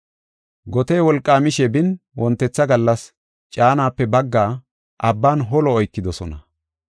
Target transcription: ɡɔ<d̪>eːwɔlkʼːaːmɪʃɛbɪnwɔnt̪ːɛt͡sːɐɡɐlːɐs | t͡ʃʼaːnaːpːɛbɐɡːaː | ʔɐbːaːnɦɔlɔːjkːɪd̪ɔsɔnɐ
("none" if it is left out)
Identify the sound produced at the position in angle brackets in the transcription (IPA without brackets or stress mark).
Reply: t̪